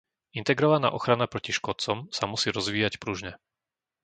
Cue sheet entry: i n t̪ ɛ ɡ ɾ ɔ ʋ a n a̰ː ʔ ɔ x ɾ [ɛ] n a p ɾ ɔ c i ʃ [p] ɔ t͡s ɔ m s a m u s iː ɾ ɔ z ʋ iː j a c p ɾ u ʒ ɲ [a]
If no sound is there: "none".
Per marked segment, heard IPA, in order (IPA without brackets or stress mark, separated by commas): a, k, ɛ